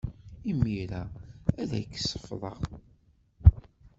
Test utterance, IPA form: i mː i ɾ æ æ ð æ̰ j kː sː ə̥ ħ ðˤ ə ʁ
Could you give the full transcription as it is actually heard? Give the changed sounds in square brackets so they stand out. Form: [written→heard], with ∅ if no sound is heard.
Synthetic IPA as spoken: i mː i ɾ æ æ ð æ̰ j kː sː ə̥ [ħ→f] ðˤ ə ʁ